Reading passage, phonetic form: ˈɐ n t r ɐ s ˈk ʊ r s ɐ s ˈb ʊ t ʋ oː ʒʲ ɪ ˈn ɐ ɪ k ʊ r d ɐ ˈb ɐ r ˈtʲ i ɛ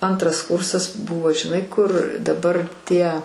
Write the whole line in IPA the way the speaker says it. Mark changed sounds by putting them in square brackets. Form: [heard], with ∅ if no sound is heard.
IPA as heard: ˈɐ n t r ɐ s ˈk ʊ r s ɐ s ˈb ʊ [∅] ʋ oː ʒʲ ɪ ˈn ɐ ɪ k ʊ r d ɐ ˈb ɐ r ˈtʲ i ɛ